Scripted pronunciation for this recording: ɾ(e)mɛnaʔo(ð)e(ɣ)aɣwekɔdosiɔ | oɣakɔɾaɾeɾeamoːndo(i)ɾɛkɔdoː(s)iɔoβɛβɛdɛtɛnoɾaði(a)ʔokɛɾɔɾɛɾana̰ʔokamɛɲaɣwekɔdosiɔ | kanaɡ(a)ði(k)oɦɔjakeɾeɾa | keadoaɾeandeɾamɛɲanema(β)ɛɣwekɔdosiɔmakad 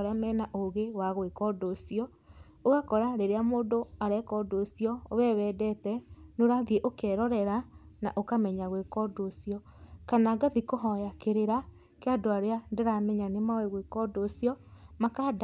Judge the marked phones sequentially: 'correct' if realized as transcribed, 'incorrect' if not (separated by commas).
incorrect, incorrect, incorrect, incorrect, correct, incorrect, correct, correct, incorrect